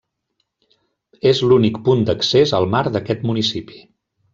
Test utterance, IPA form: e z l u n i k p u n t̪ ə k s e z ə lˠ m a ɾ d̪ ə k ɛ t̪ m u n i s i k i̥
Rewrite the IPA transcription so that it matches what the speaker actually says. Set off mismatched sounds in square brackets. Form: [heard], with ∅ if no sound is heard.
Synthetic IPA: e z l u n i k p u n [d̪] ə k s e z ə lˠ m a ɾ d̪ ə k ɛ t̪ m u n i s i [p] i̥